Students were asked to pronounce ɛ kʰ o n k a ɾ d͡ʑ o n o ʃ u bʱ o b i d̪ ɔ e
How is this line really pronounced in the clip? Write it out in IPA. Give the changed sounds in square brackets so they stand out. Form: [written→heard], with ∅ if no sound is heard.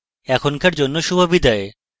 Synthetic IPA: ɛ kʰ o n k a ɾ d͡ʑ o [n→nː] o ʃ u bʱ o b i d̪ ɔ e